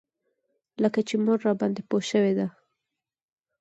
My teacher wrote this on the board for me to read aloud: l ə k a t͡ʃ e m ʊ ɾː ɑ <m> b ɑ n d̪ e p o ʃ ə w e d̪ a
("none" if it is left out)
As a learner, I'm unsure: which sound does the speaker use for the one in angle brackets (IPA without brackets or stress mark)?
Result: none